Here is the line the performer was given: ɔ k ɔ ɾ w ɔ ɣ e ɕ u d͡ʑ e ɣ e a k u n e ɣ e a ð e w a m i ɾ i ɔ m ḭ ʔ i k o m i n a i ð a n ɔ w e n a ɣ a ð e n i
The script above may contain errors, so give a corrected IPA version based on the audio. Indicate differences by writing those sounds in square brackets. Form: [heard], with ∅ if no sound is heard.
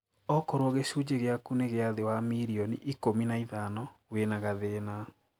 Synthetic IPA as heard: ɔ k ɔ ɾ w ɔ ɣ e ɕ u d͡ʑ e ɣ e a k u n e ɣ e a ð e w a m i ɾ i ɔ [n] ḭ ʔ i k o m i n a i ð a n ɔ w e n a ɣ a ð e n [a]